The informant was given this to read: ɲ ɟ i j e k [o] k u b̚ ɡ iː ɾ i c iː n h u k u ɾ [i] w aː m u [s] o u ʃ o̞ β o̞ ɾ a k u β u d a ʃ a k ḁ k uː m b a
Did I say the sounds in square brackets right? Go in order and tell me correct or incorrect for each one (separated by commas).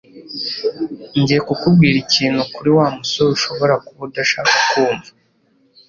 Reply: incorrect, correct, correct